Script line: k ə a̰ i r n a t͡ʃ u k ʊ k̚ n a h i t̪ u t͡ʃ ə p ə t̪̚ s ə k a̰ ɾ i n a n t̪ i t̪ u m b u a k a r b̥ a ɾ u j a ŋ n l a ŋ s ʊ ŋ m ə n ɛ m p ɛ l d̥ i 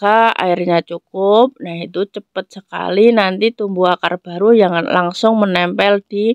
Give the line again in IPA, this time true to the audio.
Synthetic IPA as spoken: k a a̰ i r ɲ a t͡ʃ u k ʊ p̚ n a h i t̪ u t͡ʃ ə p ə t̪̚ s ə k a̰ l i n a n t̪ i t̪ u m b u a k a r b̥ a ɾ u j a ŋ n l a ŋ s ʊ ŋ m ə n ɛ m p ɛ l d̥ i